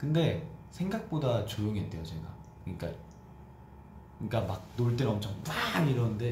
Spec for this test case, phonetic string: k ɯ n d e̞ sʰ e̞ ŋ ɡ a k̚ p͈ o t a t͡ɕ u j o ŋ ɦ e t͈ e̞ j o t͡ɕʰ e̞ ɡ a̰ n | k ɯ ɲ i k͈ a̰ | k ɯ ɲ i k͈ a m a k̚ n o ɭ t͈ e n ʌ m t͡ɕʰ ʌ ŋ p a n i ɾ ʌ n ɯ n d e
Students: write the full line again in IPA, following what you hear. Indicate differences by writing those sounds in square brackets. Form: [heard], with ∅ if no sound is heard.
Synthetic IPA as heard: k ɯ n d e̞ sʰ e̞ ŋ ɡ a k̚ p͈ o [d] a t͡ɕ [o] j o ŋ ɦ e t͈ e̞ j o [t͡ɕ] e̞ ɡ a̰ [∅] | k ɯ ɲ i k͈ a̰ | k ɯ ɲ i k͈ a m a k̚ n o ɭ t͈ e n ʌ m t͡ɕʰ ʌ ŋ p a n i ɾ ʌ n ɯ n d e